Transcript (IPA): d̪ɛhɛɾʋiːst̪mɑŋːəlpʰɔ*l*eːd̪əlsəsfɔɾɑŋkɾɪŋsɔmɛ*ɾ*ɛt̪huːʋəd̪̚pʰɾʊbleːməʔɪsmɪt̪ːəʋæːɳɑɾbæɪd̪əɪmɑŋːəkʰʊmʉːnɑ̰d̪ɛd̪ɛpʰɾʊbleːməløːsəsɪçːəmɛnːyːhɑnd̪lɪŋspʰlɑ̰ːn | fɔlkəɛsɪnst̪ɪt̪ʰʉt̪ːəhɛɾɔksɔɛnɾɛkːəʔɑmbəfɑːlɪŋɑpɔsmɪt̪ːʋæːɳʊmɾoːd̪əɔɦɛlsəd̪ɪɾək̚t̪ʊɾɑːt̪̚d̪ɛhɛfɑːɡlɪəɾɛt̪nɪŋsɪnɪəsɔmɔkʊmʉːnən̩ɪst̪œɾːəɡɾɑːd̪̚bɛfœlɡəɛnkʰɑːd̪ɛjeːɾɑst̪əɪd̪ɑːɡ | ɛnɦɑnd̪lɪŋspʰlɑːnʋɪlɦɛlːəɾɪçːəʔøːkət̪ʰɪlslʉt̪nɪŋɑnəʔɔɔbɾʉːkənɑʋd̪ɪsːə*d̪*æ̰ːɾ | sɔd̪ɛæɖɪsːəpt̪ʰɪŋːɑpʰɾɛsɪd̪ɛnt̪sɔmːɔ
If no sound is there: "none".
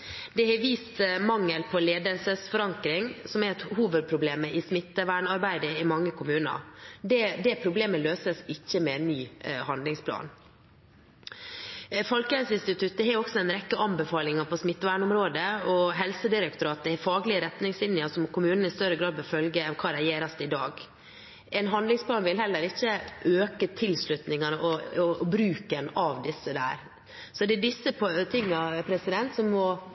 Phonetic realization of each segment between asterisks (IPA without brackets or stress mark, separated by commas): l, ɾ, d̪